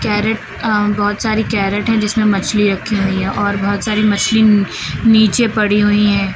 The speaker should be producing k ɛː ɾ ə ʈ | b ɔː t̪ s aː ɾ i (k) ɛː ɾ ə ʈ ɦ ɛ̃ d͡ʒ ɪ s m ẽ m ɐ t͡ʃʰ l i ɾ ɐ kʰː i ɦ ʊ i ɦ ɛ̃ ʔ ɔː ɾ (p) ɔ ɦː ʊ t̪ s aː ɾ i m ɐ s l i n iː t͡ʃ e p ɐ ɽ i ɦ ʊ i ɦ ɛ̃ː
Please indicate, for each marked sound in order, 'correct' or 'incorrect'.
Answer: correct, incorrect

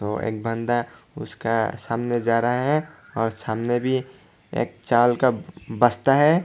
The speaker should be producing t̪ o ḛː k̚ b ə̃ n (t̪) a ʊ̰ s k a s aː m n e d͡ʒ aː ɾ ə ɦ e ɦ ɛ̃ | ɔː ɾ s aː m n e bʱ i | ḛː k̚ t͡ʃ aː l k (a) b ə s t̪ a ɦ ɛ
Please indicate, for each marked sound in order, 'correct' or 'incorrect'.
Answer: incorrect, correct

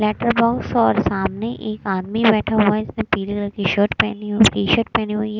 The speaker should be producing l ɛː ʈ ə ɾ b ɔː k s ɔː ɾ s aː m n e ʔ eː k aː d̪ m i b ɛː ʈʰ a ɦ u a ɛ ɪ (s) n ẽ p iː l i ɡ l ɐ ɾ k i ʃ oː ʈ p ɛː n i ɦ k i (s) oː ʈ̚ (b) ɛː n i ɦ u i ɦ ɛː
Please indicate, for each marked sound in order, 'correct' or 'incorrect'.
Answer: correct, incorrect, incorrect

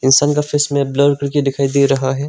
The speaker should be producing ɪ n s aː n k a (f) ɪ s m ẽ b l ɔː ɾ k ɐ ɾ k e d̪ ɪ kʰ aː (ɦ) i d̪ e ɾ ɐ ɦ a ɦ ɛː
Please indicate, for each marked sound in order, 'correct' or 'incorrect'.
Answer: correct, incorrect

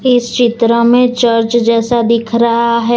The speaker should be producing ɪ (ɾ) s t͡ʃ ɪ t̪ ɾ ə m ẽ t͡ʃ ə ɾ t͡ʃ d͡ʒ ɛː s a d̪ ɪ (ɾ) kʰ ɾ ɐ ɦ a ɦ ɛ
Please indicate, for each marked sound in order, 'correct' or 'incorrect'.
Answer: incorrect, incorrect

